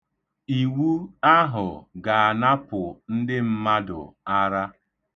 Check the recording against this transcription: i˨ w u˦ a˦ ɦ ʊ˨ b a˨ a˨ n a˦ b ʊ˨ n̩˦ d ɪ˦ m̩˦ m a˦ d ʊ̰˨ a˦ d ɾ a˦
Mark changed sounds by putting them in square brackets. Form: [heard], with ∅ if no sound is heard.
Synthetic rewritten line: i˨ w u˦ a˦ ɦ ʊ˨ [ɡ] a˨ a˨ n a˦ [p] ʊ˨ n̩˦ d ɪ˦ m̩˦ m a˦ d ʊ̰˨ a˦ [∅] ɾ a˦